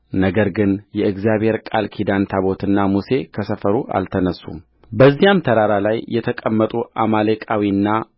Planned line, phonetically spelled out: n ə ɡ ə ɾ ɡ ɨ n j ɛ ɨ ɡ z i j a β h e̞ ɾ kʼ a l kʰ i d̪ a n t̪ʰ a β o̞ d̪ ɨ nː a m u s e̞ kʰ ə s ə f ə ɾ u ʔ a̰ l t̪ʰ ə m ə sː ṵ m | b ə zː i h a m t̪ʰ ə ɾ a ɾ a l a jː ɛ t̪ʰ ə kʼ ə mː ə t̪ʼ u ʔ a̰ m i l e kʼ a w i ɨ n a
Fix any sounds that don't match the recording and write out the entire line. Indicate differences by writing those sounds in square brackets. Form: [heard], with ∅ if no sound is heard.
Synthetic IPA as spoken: n ə ɡ ə ɾ ɡ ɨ n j ɛ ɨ ɡ z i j a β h e̞ ɾ kʼ a l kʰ i d̪ a n t̪ʰ a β o̞ [t̪] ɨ nː a m u s e̞ kʰ ə s ə f ə ɾ u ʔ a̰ l t̪ʰ ə [n] ə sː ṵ m | b ə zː i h a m t̪ʰ ə ɾ a ɾ a l a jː ɛ t̪ʰ ə kʼ ə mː ə t̪ʼ u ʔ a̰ m [a] l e kʼ a w i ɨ [nː] a